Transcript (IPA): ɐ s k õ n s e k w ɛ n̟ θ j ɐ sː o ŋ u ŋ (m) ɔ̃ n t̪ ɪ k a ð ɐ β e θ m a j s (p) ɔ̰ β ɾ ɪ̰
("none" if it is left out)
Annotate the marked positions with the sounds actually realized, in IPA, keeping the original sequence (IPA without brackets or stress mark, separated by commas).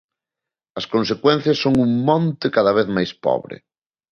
m, p